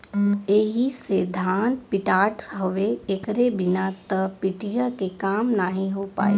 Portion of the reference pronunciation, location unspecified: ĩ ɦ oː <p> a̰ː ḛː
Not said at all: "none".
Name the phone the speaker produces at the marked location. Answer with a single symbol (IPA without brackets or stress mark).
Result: p